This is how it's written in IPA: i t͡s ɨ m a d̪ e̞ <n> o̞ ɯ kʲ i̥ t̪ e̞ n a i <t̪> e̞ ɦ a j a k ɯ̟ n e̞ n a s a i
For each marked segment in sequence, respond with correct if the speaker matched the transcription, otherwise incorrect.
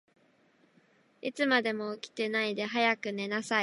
incorrect: m, incorrect: d̪

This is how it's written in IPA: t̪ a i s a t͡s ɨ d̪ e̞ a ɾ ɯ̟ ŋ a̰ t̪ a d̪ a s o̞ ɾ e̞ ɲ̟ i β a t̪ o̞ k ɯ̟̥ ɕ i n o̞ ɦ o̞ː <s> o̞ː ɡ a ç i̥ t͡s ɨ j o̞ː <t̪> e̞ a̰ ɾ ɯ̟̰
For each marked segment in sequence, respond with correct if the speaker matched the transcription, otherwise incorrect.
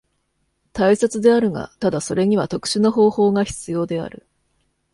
incorrect: h, incorrect: d̪

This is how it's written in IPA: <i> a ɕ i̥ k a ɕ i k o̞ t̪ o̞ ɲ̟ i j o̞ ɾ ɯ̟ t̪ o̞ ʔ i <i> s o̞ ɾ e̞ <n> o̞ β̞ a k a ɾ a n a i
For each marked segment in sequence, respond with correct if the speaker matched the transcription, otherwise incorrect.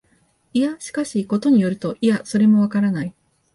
correct, incorrect: a, incorrect: m

